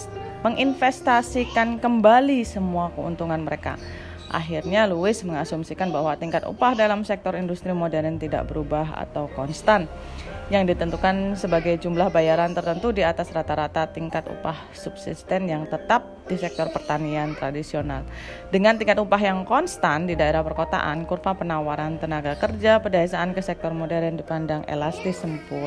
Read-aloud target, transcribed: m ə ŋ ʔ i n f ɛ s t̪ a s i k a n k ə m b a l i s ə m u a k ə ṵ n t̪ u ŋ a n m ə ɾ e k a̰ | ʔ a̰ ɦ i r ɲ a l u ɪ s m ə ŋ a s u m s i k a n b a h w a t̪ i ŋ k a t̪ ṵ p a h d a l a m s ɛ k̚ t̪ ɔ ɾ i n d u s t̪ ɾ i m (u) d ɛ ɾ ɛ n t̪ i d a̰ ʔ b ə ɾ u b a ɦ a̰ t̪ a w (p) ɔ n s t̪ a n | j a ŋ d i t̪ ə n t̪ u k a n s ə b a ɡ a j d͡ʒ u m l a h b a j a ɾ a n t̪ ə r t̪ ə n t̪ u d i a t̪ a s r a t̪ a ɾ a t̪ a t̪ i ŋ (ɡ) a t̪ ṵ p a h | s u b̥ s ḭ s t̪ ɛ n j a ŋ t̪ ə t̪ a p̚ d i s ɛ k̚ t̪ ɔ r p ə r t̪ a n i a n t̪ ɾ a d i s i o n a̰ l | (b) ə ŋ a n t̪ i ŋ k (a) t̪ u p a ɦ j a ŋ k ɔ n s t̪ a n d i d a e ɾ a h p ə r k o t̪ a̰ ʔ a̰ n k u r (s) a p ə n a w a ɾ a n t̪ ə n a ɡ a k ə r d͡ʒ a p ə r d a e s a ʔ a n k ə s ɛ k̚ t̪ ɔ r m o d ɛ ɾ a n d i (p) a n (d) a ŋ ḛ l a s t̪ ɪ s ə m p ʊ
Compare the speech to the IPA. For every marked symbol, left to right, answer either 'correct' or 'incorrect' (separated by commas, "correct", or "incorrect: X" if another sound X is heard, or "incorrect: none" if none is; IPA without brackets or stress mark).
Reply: incorrect: o, incorrect: k, incorrect: k, incorrect: d, correct, incorrect: f, correct, correct